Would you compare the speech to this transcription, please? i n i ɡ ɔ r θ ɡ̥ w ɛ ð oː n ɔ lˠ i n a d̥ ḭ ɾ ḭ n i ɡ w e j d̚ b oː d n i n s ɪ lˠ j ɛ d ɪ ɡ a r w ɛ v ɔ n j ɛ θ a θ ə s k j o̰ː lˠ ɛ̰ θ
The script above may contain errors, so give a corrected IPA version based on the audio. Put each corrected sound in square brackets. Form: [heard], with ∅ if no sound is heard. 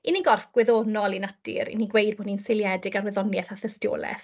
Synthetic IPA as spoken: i n i ɡ ɔ r [f] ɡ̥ w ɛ ð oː n ɔ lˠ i n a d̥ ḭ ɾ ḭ n i ɡ w e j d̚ b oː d n i n s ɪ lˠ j ɛ d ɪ ɡ a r w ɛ [ð] ɔ n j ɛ θ a θ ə s [t] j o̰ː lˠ ɛ̰ θ